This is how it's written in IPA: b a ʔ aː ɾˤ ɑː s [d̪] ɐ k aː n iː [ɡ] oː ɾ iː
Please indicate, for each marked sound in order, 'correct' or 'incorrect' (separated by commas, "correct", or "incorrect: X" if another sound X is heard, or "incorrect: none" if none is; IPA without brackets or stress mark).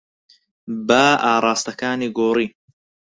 incorrect: t̪, correct